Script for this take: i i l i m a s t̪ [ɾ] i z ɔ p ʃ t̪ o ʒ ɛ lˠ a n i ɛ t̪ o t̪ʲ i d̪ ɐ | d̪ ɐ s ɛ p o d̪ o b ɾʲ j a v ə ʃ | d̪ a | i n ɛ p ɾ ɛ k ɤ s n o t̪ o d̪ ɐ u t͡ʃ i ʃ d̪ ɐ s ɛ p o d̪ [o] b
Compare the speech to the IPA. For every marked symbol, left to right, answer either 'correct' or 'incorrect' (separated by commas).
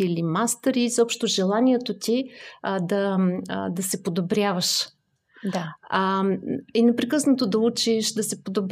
correct, correct